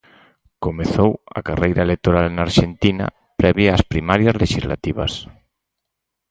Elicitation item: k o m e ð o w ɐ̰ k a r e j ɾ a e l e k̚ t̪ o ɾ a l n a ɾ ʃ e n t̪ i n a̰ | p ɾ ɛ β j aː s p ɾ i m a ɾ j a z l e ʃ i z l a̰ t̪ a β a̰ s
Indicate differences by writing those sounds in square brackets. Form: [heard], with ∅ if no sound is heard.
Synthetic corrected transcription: k o m e [θ] o w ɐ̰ k a r e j ɾ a e l e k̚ t̪ o ɾ a l n a ɾ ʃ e n t̪ i n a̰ | p ɾ ɛ β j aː s p ɾ i m a ɾ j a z l e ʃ i z l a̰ t̪ [i] β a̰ s